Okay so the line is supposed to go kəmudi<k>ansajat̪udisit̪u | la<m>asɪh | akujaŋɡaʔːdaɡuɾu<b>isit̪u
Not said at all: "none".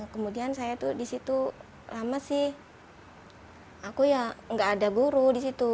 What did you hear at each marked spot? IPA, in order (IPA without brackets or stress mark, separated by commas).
none, m, d